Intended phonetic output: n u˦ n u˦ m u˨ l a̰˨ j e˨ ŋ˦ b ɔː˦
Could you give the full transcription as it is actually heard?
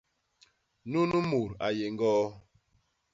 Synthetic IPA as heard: n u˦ n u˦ m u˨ ɾ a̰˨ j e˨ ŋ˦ ɡ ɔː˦